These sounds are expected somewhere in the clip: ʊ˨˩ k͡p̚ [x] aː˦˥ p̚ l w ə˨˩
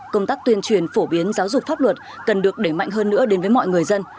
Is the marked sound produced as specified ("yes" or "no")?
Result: no